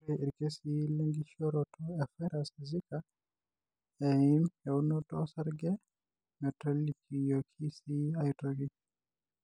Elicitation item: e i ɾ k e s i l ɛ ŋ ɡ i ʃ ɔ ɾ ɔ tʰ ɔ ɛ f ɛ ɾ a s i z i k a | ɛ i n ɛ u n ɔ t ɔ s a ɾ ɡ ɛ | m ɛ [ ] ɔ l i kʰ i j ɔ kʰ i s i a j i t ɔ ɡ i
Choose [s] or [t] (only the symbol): t